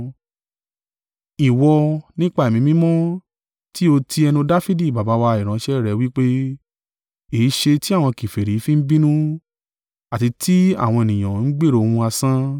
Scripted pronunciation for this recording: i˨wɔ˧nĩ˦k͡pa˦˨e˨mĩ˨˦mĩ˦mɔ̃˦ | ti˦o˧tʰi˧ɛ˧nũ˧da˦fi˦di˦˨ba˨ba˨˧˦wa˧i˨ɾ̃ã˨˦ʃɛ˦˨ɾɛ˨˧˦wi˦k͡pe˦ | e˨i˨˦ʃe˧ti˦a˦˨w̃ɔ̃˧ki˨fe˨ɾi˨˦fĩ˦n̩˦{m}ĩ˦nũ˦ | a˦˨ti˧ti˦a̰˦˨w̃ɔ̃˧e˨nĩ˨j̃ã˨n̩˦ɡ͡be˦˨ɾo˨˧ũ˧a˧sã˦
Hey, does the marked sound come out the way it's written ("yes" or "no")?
no